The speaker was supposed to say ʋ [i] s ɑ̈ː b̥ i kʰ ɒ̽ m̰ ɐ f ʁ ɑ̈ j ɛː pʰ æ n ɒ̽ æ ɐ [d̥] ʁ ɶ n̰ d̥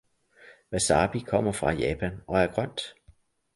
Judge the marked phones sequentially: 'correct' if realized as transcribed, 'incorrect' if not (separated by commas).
incorrect, incorrect